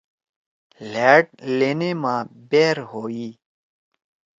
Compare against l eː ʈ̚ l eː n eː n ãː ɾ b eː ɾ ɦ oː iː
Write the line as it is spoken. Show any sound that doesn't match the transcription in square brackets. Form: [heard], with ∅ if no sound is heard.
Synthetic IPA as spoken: l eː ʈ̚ l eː n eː [m] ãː [∅] b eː ɾ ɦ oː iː